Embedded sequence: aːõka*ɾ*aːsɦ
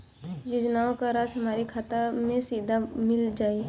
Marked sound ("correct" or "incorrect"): correct